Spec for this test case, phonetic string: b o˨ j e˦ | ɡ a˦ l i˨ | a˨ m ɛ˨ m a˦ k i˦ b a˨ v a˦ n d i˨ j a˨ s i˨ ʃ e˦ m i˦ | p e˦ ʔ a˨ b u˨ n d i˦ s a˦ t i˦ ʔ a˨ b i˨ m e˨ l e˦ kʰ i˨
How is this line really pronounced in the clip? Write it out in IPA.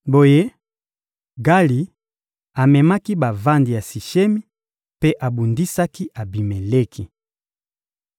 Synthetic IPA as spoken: b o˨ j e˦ | ɡ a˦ l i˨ | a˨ m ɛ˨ m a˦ k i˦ b a˨ v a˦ n d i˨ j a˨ s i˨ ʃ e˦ m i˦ | p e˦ ʔ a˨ b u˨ n d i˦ s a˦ k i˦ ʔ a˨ b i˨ m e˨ l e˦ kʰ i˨